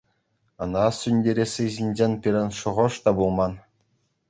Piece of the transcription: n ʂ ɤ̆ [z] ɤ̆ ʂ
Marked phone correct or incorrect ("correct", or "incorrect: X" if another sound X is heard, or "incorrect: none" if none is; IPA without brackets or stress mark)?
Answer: incorrect: ʁ